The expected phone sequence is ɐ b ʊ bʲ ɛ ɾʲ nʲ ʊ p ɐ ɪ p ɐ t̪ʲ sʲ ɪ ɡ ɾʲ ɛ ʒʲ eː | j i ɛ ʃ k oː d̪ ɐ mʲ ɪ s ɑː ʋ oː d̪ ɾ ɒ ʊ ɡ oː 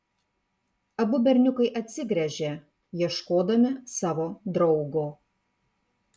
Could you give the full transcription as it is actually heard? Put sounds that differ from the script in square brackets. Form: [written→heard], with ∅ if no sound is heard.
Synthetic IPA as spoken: ɐ b ʊ bʲ ɛ ɾʲ nʲ ʊ [p→k] ɐ ɪ [p→ʔ] ɐ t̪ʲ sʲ ɪ ɡ ɾʲ ɛ ʒʲ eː | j i ɛ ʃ k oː d̪ ɐ mʲ ɪ s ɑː ʋ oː d̪ ɾ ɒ ʊ ɡ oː

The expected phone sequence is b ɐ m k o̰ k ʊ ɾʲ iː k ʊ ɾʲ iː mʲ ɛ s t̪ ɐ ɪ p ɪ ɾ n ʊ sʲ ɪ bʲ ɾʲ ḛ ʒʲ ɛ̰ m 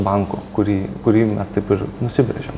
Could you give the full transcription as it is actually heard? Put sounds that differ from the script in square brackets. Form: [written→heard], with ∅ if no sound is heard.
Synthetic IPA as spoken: b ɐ [m→ŋ] k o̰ k ʊ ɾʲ iː k ʊ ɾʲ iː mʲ ɛ s t̪ ɐ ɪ p ɪ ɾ n ʊ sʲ ɪ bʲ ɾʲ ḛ ʒʲ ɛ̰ m

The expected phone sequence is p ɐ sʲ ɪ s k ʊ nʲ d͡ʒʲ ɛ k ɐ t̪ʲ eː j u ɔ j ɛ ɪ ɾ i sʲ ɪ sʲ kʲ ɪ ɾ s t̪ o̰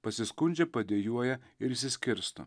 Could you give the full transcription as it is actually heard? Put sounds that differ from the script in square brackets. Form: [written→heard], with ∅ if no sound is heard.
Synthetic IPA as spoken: p ɐ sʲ ɪ s k ʊ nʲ d͡ʒʲ ɛ [k→p] ɐ [t̪ʲ→d̪ʲ] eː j u ɔ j ɛ ɪ ɾ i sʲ ɪ sʲ kʲ ɪ ɾ s t̪ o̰

